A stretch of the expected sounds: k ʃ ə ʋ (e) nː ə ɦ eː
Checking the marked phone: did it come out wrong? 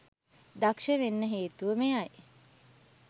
no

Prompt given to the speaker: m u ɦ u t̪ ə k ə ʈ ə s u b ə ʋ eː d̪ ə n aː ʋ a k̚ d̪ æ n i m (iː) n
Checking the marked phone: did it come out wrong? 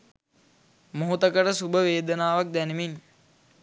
yes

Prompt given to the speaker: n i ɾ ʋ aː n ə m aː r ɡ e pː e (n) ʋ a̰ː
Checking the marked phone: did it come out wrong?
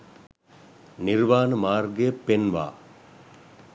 no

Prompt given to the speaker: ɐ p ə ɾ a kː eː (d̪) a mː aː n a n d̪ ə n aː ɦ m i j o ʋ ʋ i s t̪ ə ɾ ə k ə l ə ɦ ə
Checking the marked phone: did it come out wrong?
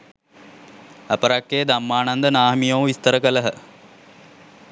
no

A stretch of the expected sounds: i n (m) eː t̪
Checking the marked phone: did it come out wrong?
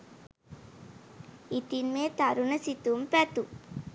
no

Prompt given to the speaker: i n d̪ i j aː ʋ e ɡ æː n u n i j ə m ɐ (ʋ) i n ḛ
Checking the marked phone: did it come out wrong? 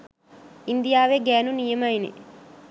yes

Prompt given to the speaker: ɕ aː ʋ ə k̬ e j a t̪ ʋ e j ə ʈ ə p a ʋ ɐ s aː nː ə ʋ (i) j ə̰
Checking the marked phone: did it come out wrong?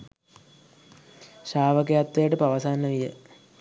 no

